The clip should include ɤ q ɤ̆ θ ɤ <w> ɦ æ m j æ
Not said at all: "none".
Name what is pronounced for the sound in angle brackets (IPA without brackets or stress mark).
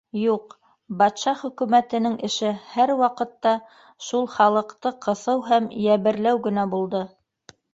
w